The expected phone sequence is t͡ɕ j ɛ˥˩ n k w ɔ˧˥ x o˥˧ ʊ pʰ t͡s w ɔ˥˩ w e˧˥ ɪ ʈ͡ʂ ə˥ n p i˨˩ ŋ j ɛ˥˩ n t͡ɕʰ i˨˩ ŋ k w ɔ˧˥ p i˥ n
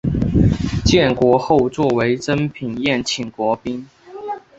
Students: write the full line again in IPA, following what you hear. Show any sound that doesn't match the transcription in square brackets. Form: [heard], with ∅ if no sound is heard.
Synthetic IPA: t͡ɕ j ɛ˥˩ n k w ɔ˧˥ x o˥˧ ʊ [∅] t͡s w ɔ˥˩ w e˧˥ ɪ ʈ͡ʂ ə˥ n [pʰ] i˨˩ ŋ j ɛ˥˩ n t͡ɕʰ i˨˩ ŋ k w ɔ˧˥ p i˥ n